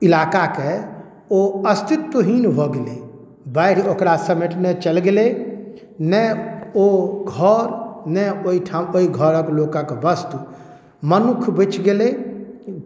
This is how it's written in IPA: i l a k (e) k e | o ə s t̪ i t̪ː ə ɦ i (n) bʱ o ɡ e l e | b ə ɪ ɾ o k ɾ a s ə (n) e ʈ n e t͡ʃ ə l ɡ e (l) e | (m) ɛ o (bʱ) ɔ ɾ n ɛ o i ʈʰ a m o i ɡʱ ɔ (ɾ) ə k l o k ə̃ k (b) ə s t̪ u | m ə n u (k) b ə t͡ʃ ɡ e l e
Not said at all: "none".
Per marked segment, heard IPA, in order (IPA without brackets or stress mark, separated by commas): a, n, m, l, n, ɡʱ, ɾ, b, kʰ